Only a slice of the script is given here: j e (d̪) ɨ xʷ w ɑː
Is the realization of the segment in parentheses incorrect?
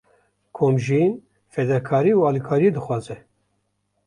no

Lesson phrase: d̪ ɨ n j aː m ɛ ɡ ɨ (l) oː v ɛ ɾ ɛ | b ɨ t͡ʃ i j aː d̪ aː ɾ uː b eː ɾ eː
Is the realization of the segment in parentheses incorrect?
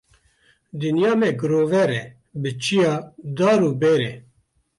yes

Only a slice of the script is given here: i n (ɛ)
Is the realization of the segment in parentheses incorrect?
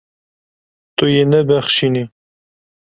yes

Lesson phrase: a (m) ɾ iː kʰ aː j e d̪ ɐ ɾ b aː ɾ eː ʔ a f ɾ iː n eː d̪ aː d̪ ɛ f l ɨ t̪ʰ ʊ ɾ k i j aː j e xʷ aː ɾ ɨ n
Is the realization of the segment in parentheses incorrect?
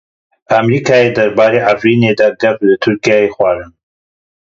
no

